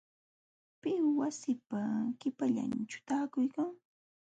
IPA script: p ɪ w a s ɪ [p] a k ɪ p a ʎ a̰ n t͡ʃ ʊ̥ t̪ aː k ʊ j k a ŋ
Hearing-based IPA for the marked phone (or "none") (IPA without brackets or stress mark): p